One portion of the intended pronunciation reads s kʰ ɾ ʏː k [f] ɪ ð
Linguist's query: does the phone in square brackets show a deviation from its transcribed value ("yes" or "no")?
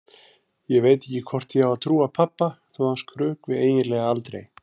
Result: yes